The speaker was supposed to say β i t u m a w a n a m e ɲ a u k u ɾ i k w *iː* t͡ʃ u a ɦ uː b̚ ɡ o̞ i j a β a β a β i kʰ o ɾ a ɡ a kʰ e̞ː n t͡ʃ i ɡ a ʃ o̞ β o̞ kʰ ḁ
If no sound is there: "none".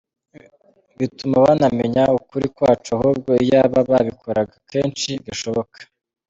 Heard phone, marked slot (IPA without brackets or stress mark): aː